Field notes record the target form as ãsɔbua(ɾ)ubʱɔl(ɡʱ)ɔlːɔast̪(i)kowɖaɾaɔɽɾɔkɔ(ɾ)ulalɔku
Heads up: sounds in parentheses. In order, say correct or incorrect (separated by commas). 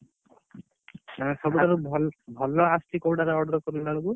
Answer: correct, incorrect, correct, correct